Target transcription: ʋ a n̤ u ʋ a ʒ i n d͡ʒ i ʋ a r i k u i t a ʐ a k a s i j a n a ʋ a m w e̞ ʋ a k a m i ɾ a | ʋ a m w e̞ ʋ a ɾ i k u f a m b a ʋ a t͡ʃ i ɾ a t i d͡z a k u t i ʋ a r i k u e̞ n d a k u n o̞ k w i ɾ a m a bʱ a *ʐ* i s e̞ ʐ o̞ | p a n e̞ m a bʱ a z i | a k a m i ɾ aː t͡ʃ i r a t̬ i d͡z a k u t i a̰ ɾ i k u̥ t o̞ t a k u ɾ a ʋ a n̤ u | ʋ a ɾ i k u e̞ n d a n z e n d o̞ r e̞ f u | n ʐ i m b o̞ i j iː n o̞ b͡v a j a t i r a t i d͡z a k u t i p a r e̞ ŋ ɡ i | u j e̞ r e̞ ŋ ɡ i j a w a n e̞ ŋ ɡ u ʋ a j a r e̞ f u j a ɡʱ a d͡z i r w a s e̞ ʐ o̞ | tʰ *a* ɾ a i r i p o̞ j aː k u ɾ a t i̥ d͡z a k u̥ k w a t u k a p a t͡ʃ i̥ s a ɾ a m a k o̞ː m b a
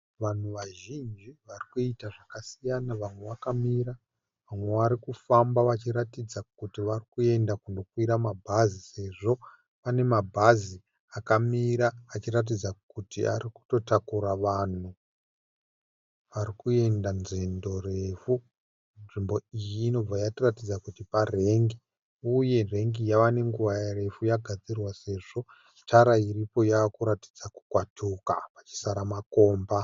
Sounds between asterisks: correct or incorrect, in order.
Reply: incorrect: z, correct

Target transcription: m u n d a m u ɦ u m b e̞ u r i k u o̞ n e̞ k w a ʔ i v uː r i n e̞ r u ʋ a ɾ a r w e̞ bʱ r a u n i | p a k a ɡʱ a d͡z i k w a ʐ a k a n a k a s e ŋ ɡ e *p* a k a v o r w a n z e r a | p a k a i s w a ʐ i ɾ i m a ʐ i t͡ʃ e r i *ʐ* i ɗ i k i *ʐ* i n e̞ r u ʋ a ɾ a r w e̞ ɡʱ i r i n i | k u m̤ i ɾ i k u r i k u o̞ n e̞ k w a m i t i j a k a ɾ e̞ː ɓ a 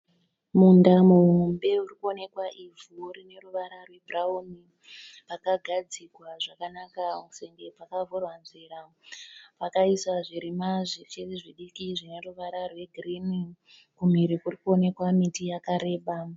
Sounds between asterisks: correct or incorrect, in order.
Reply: correct, correct, correct

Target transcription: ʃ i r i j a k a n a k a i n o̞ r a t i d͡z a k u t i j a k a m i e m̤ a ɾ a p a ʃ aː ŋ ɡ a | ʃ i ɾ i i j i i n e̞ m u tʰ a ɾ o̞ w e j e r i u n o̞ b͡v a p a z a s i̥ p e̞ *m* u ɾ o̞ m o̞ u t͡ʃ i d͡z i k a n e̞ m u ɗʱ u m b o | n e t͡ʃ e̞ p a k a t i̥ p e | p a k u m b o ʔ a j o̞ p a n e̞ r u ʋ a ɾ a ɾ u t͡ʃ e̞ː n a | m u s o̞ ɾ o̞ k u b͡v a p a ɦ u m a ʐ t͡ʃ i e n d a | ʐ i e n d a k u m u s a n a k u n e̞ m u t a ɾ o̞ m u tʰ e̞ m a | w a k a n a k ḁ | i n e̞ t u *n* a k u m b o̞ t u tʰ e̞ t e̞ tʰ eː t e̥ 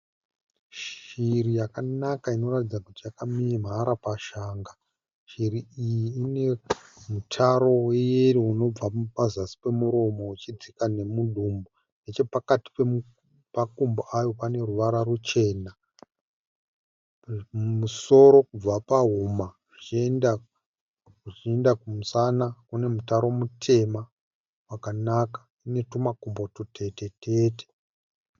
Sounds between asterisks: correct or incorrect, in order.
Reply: correct, incorrect: m

